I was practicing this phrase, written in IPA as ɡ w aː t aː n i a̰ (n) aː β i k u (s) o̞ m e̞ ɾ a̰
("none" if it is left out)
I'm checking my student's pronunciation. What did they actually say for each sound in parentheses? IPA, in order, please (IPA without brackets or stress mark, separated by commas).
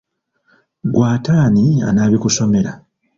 n, s